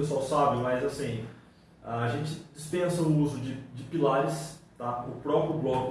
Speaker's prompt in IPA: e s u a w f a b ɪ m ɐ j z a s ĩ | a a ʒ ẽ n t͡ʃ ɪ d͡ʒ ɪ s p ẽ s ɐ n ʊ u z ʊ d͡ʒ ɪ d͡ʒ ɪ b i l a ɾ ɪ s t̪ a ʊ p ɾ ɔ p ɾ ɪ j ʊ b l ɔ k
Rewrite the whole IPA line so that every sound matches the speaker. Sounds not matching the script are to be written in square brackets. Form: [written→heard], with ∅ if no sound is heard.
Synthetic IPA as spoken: e s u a w [f→s] a b ɪ m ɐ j z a s ĩ | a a ʒ ẽ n t͡ʃ ɪ d͡ʒ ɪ s p ẽ s ɐ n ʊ u z ʊ d͡ʒ ɪ d͡ʒ ɪ [b→p] i l a ɾ ɪ s t̪ a ʊ p ɾ ɔ p ɾ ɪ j ʊ b l ɔ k

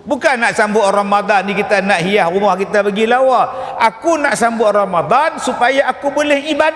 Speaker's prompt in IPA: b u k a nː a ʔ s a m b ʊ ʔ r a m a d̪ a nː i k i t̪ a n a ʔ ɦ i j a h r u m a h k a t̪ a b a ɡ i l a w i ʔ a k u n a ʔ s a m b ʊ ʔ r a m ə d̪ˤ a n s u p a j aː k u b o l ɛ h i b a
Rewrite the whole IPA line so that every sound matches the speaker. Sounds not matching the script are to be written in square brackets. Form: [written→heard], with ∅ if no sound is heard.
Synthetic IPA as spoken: b u k a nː a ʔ s a m b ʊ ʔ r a m a d̪ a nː i k i t̪ a n a ʔ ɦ i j a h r u m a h k [a→i] t̪ a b a ɡ i l a w [i→a] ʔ a k u n a ʔ s a m b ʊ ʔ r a m [ə→a] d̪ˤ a n s u p a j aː k u b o l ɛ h i b a

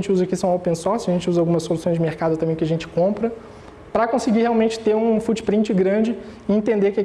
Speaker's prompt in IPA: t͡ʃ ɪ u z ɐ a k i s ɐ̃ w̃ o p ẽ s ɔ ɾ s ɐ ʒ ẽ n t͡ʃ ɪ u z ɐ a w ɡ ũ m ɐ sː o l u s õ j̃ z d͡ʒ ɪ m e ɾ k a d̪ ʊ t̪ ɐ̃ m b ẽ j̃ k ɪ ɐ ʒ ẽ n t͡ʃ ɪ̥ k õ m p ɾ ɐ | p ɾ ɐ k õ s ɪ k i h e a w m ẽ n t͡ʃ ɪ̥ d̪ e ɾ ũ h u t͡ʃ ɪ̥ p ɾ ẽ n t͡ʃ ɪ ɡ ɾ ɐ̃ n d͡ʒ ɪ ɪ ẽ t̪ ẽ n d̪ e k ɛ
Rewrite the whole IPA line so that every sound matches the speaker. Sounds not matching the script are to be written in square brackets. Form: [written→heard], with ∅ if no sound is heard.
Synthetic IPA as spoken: t͡ʃ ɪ u z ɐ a k i s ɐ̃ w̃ o p ẽ s ɔ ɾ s ɐ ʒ ẽ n t͡ʃ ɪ u z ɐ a w ɡ ũ m ɐ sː o l u s õ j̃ z d͡ʒ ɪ m e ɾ k a d̪ ʊ t̪ ɐ̃ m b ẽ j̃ k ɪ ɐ ʒ ẽ n t͡ʃ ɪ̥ k õ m p ɾ ɐ | p ɾ ɐ k õ s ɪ [k→ɡ] i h e a w m ẽ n t͡ʃ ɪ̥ [d̪→t̪] e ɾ ũ [h→f] u t͡ʃ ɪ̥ p ɾ [ẽ→ĩ] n t͡ʃ ɪ ɡ ɾ ɐ̃ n d͡ʒ ɪ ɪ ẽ t̪ ẽ n d̪ e k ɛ

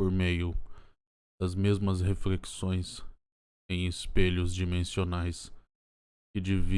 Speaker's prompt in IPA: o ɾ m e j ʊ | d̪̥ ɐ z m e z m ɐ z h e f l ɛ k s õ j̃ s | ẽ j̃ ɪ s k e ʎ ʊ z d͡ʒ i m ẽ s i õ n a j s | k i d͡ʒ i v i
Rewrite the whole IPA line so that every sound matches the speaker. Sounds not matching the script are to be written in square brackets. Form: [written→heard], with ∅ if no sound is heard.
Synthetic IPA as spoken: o ɾ m e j ʊ | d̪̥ ɐ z m e z m ɐ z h e f l [ɛ→e] k s õ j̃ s | ẽ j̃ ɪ s [k→p] e ʎ ʊ z d͡ʒ i m ẽ s i [õ→o] n a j s | k [i→ɪ] d͡ʒ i v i

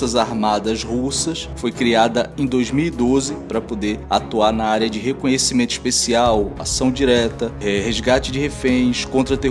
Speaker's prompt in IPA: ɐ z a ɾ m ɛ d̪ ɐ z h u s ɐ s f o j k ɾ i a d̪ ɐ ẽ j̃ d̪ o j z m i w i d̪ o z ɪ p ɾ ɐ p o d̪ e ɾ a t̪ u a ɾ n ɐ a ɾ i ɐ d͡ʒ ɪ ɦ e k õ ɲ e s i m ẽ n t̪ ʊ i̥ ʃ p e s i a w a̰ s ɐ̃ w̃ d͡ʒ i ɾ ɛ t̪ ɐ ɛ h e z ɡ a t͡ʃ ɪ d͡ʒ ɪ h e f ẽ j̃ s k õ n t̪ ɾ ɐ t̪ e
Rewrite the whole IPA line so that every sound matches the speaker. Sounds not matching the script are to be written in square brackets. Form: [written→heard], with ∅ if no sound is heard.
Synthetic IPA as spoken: ɐ z a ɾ m [ɛ→a] d̪ ɐ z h u s ɐ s f o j k ɾ i a d̪ ɐ ẽ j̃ d̪ o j z m i w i d̪ o z ɪ p ɾ ɐ p o d̪ e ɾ a t̪ u a ɾ n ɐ a ɾ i ɐ d͡ʒ ɪ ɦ e k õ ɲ e s i m ẽ n t̪ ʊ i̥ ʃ p e s i a w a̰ s ɐ̃ w̃ d͡ʒ i ɾ ɛ t̪ ɐ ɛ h e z ɡ a t͡ʃ ɪ d͡ʒ ɪ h e f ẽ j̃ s k õ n t̪ ɾ ɐ t̪ e

